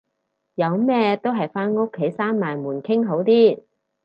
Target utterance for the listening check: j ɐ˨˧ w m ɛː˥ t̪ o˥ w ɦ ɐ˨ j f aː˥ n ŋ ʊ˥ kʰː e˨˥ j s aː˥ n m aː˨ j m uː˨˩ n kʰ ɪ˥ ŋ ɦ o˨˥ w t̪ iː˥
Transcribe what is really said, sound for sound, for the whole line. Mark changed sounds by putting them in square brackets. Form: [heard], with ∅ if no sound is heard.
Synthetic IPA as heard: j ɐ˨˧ w m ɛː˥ t̪ o˥ w ɦ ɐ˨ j f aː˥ n ŋ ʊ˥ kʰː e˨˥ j s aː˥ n m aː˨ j m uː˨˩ n kʰ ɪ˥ ŋ ɦ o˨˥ w t̪ iː˥